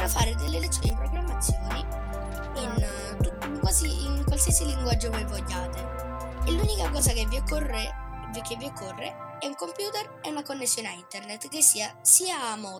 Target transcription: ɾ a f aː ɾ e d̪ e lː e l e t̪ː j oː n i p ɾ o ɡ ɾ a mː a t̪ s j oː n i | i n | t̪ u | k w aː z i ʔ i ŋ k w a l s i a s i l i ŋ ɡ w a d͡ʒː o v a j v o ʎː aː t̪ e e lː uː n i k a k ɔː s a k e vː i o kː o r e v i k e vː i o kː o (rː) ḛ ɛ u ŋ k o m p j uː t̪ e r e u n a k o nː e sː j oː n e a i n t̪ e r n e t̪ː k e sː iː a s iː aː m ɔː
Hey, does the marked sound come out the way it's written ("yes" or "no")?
yes